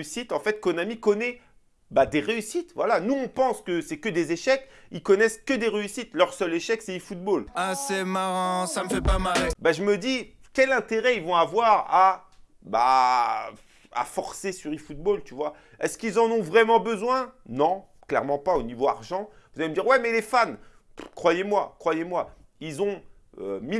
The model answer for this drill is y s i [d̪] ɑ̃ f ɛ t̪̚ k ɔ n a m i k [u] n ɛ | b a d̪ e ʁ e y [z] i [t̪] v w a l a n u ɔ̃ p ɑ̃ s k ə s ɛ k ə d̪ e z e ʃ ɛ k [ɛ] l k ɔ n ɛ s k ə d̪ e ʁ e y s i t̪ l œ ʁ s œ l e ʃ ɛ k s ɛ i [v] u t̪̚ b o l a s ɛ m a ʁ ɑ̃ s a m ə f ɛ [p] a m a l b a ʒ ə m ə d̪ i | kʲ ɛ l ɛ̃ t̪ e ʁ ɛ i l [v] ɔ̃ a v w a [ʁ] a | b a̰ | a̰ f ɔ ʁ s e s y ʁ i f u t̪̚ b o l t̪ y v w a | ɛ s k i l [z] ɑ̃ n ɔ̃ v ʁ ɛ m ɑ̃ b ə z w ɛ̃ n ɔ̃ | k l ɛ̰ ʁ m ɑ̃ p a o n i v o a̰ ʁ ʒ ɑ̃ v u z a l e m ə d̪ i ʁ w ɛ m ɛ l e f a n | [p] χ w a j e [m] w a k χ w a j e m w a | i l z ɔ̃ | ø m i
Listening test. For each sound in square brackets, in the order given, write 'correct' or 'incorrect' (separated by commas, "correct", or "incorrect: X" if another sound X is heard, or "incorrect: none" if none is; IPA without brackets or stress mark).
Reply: incorrect: t̪, incorrect: ɔ, incorrect: s, correct, incorrect: i, incorrect: f, correct, correct, correct, correct, incorrect: k, correct